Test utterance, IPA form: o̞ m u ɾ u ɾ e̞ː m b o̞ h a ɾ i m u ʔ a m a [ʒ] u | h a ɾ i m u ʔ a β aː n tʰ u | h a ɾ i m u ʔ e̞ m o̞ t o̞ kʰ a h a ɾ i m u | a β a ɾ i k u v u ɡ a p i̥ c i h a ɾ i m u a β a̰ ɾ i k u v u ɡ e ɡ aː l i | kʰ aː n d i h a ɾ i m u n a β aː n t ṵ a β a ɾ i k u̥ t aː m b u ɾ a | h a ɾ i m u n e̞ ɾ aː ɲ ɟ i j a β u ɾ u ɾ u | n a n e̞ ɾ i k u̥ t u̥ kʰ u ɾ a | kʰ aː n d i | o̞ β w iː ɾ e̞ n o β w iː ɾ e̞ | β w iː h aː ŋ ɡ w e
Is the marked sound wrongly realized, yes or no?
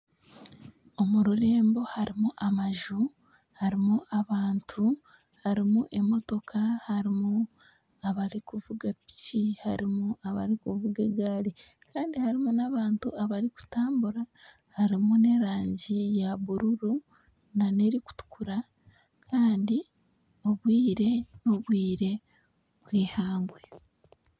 no